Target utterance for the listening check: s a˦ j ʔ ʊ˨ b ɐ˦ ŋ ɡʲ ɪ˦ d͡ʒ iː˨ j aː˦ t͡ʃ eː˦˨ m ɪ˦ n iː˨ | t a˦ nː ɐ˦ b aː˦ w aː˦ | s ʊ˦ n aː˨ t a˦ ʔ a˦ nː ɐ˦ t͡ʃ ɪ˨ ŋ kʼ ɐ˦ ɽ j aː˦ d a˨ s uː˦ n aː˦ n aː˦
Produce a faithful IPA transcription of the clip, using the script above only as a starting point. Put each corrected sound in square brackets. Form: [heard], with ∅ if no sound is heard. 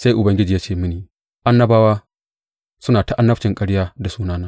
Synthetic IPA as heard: s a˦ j ʔ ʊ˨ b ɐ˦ ŋ ɡʲ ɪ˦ d͡ʒ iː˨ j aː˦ t͡ʃ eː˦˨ m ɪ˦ n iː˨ | [ʔ] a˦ nː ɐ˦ b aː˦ w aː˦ | s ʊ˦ n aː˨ t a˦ ʔ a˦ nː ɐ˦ t͡ʃ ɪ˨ ŋ kʼ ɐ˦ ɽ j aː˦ d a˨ s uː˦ n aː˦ n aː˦